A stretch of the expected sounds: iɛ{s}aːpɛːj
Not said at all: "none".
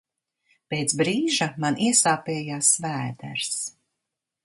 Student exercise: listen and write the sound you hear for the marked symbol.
s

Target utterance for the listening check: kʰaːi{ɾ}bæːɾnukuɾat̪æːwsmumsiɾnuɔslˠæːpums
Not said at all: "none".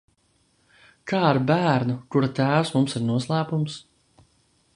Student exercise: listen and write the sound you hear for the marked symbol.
ɾ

